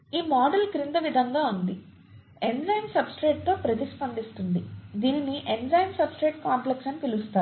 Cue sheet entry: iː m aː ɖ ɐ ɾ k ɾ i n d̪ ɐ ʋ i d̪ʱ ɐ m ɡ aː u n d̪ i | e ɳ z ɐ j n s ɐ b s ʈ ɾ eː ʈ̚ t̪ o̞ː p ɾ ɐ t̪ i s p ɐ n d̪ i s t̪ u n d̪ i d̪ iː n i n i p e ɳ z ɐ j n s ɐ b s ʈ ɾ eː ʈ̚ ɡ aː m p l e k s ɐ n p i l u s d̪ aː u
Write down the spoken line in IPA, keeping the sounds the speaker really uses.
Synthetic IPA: iː m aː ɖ ɐ l k ɾ i n d̪ ɐ ʋ i d̪ʱ ɐ ŋ ɡ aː u n d̪ i | e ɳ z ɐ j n s ɐ b s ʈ ɾ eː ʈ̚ t̪ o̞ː p ɾ ɐ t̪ i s p ɐ n d̪ i s t̪ u n d̪ i d̪ iː n i n i ʔ e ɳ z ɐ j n s ɐ b s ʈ ɾ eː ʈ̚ k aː m p l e k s ɐ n p i l u s t̪ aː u

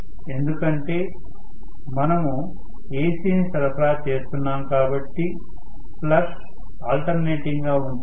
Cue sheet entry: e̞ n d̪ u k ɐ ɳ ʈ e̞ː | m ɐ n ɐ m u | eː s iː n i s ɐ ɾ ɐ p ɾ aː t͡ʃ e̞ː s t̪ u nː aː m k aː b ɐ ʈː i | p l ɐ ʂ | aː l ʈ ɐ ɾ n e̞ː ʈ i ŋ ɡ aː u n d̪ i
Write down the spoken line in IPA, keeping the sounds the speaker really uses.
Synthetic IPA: e̞ n d̪ u k ɐ ɳ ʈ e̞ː | m ɐ n ɐ m u | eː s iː n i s ɐ ɾ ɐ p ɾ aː t͡ʃ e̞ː s t̪ u nː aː m k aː b ɐ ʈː i | p l ɐ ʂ | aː l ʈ ɐ ɾ n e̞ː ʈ i ŋ ɡ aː u n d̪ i

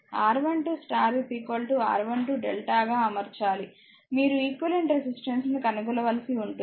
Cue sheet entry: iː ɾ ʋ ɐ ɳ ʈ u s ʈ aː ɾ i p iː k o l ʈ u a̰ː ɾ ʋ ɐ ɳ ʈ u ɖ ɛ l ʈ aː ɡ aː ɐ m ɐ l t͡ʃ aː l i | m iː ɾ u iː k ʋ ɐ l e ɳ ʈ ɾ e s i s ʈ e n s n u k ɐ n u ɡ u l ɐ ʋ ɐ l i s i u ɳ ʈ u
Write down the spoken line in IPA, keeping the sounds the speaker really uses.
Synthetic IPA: aː ɾ ʋ ɐ ɳ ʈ u s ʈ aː ɾ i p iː k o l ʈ u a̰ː ɾ ʋ ɐ ɳ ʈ u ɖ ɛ l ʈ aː ɡ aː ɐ m ɐ ɾ t͡ʃ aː l i | m iː ɾ u iː k ʋ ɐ l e ɳ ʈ ɾ e s i s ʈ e n s n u k ɐ n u ɡ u l ɐ ʋ ɐ l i s i u ɳ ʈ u

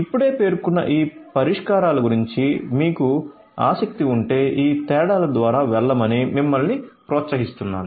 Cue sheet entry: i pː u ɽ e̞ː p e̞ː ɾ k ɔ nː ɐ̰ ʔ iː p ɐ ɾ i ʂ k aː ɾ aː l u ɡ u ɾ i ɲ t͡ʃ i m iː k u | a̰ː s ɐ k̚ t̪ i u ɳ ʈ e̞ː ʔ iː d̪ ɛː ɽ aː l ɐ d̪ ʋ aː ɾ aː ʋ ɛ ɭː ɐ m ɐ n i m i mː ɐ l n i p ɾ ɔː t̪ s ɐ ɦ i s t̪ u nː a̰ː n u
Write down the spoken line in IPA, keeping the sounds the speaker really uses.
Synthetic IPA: i pː u ɽ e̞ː p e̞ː ɾ k u nː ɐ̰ ʔ iː p ɐ ɾ i ʂ k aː ɾ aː l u ɡ u ɾ i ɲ t͡ʃ i m iː k u | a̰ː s ɐ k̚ t̪ i u ɳ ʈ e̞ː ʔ iː t̪ ɛː ɽ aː l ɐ d̪ ʋ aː ɾ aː ʋ ɛ ɭː ɐ m ɐ n i m i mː ɐ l n i p ɾ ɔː t̪ s ɐ ɦ i s t̪ u nː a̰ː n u

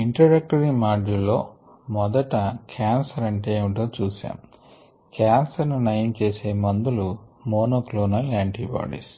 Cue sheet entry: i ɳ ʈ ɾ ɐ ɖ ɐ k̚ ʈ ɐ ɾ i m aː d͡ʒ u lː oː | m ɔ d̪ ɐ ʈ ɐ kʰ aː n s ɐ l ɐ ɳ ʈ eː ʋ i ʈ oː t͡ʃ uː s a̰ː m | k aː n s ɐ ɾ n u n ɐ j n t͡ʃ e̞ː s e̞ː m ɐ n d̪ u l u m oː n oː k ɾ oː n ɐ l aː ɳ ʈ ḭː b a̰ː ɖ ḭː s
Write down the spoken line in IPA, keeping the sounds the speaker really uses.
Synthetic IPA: i ɳ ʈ ɾ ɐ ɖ ɐ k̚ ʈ ɐ ɾ i m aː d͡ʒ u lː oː | m ɔ d̪ ɐ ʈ ɐ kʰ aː n s ɐ ɾ ɐ ɳ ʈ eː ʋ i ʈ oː t͡ʃ uː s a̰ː m | k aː n s ɐ ɾ n u n ɐ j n t͡ʃ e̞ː s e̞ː m ɐ n d̪ u l u m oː n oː k l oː n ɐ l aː ɳ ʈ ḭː b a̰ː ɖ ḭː s

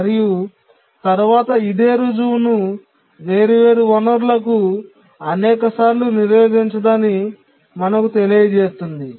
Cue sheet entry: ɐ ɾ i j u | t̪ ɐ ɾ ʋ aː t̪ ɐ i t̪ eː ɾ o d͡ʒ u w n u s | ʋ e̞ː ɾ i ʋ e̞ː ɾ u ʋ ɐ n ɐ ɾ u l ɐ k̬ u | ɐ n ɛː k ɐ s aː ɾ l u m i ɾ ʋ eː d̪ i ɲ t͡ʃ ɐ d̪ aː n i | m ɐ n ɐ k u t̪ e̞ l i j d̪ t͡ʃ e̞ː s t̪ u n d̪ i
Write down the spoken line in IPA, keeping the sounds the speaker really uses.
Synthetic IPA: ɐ ɾ i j u | t̪ ɐ ɾ ʋ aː t̪ ɐ i d̪ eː ɾ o d͡ʒ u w n u | ʋ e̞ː ɾ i ʋ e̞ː ɾ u ʋ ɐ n ɐ ɾ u l ɐ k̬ u | ɐ n ɛː k ɐ s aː ɾ l u n i ɾ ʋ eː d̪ i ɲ t͡ʃ ɐ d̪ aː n i | m ɐ n ɐ k u t̪ e̞ l i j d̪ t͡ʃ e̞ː s t̪ u n d̪ i

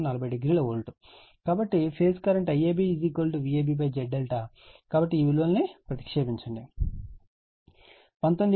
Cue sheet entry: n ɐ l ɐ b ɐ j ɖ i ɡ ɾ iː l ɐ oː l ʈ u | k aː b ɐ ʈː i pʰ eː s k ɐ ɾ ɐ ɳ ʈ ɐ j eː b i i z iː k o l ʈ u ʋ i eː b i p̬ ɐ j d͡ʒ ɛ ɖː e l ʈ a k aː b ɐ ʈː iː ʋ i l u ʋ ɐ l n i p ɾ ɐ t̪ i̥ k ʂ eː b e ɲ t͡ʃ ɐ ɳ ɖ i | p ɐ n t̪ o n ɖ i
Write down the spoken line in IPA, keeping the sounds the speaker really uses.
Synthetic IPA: n ɐ l ɐ b ɐ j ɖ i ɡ ɾ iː l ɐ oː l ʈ u | k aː b ɐ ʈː i pʰ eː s k ɐ ɾ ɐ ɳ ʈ ɐ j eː b i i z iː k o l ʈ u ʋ i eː b i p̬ ɐ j d͡ʒ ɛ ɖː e l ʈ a k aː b ɐ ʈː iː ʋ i l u ʋ ɐ l n i p ɾ ɐ t̪ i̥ k ʂ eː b i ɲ t͡ʃ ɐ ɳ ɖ i | p ɐ n t̪ o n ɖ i

